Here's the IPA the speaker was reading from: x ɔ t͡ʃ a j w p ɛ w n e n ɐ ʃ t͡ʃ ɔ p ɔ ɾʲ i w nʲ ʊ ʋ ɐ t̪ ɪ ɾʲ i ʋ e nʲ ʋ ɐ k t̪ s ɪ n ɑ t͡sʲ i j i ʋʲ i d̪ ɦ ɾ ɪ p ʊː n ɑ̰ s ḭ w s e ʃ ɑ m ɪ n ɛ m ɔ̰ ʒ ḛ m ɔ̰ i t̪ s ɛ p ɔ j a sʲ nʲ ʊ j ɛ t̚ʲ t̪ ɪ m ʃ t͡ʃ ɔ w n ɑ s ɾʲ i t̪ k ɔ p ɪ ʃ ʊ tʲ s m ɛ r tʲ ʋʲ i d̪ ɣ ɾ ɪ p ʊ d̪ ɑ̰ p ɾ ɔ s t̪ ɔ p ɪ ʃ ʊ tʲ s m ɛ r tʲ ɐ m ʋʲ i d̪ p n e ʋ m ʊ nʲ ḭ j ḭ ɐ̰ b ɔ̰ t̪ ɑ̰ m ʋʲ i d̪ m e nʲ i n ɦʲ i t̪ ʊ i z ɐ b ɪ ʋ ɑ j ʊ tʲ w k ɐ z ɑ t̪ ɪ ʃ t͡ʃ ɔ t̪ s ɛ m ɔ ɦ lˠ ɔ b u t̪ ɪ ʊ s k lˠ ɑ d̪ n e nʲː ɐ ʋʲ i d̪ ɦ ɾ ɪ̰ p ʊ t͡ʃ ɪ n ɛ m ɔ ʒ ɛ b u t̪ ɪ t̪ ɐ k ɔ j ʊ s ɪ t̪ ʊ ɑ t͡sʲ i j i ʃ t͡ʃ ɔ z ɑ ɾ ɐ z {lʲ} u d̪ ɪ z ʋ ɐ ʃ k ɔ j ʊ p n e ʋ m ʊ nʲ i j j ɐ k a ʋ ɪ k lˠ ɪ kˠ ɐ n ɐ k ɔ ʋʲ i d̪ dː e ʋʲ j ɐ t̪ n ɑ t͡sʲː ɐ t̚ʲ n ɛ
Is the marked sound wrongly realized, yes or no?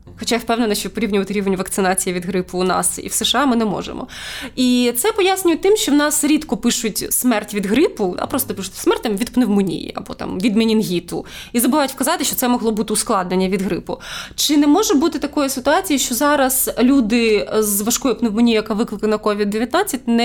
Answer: no